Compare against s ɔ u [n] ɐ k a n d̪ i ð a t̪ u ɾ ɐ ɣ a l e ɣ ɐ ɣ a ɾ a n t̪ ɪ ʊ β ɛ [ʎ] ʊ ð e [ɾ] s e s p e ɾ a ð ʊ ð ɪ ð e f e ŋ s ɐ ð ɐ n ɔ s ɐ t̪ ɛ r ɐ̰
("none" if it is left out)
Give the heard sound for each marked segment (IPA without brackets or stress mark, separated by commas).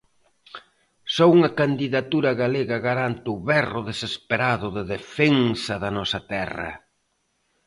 ŋ, r, none